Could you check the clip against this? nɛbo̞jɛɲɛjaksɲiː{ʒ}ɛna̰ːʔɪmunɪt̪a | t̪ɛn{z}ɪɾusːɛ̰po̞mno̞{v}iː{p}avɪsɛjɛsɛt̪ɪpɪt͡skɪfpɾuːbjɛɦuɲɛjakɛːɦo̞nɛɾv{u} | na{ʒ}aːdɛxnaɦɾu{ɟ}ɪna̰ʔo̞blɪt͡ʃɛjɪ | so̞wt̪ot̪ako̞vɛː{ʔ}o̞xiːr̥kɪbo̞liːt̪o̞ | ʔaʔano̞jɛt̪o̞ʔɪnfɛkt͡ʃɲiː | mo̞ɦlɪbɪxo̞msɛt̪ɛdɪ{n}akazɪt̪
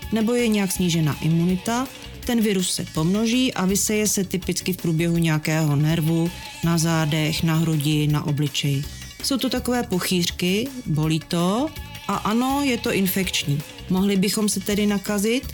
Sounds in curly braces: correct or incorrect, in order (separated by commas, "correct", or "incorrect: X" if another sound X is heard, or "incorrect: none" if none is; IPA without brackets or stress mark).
correct, incorrect: v, incorrect: ʒ, incorrect: ʔ, correct, incorrect: z, correct, incorrect: p, correct